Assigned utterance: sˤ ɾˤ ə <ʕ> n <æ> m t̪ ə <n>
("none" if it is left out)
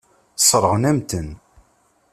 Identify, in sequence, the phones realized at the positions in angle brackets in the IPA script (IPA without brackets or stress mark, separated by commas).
ʁ, æ, n